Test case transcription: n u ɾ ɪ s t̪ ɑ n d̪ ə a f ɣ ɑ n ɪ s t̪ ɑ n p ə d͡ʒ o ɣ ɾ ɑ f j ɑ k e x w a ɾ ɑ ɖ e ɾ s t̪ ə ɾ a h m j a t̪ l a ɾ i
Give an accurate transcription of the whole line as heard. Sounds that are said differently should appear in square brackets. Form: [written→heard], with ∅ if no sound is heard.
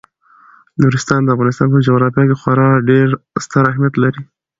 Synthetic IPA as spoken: n u ɾ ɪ s t̪ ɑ n d̪ ə a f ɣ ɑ n ɪ s t̪ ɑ n p ə d͡ʒ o ɣ ɾ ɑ f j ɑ k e x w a ɾ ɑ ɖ e ɾ s t̪ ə ɾ a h m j a t̪ l a ɾ i